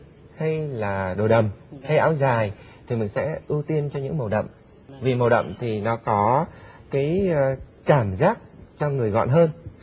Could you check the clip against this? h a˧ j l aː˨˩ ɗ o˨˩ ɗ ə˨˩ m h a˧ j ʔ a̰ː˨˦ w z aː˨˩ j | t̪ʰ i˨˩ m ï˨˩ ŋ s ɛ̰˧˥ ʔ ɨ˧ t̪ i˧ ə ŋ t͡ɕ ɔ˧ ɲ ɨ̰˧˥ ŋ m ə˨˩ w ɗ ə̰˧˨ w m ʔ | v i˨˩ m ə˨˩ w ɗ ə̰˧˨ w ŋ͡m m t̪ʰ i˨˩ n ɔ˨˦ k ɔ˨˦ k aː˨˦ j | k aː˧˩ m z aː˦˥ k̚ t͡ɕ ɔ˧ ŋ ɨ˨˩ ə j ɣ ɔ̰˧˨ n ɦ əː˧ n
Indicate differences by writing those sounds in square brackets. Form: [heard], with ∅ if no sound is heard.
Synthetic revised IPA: h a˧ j l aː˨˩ ɗ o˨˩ ɗ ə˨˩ m h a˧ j ʔ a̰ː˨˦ w z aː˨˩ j | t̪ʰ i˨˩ m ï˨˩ ŋ s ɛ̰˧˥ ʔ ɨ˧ t̪ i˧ ə [n] t͡ɕ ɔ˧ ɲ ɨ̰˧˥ ŋ m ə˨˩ w ɗ ə̰˧˨ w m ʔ | v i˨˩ m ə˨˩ w ɗ ə̰˧˨ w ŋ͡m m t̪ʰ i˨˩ n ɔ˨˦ k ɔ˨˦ k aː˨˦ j | k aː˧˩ m z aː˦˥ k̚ t͡ɕ ɔ˧ ŋ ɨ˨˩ ə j ɣ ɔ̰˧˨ n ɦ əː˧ n